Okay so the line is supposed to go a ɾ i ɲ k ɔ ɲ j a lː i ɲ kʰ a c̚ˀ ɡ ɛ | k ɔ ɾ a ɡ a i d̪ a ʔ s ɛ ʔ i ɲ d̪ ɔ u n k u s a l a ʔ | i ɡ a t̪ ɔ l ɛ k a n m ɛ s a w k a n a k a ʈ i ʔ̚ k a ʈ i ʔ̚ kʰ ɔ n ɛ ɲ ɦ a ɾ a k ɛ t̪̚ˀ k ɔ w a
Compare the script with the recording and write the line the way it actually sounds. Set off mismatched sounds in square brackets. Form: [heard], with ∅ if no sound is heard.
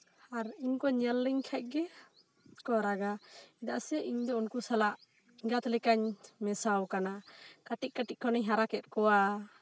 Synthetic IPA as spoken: a ɾ i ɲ k ɔ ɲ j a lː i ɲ kʰ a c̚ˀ ɡ ɛ | k ɔ ɾ a ɡ a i d̪ a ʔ s ɛ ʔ i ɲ d̪ ɔ u n k u s a l a ʔ | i ɡ a t̪ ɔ l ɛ k a [ɲ] m ɛ s a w k a n a k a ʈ i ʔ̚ k a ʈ i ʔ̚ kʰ ɔ n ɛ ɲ ɦ a ɾ a k ɛ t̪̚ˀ k ɔ w a